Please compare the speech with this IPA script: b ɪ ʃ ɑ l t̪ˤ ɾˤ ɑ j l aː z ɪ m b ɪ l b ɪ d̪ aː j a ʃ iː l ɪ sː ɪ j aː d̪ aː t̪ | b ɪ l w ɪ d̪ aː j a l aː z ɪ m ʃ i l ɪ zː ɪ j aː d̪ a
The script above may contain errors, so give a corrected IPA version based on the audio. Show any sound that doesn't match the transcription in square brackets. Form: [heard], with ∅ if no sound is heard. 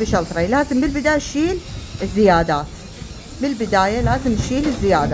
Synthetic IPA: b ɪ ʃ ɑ l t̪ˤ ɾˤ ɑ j l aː z ɪ m b ɪ l b ɪ d̪ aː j a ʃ iː l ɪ [zː] ɪ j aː d̪ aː t̪ | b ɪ l [b] ɪ d̪ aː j a l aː z ɪ m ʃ [iː] l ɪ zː ɪ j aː d̪ a